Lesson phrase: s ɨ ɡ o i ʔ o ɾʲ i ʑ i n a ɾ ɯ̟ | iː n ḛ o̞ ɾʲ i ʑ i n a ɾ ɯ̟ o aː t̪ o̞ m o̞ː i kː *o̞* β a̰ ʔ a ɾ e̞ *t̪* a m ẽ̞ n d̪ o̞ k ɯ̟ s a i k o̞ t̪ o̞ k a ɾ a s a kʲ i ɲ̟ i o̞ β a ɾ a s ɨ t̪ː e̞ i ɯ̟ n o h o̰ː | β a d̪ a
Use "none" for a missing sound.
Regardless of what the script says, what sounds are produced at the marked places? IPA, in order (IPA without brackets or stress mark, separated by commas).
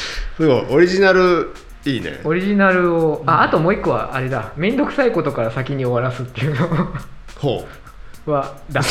o̞, d̪